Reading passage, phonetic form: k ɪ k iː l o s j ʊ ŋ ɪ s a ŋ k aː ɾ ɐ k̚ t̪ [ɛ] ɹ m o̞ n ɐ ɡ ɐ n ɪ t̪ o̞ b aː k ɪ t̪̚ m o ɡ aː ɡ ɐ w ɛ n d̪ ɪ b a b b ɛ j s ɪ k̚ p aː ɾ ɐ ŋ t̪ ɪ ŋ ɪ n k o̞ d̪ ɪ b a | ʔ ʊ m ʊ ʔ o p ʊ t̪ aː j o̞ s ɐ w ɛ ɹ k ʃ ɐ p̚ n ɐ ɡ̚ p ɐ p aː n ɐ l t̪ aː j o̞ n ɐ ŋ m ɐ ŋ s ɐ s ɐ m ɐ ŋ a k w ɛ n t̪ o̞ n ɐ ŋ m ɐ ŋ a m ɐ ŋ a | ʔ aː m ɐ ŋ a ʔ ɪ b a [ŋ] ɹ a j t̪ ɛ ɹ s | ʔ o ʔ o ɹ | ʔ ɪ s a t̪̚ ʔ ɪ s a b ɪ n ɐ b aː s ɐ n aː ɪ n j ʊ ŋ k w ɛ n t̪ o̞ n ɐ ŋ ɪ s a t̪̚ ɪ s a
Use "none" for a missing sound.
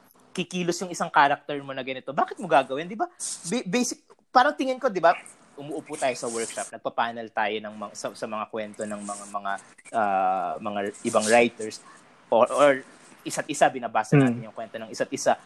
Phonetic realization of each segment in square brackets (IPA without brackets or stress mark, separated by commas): ɛ, ŋ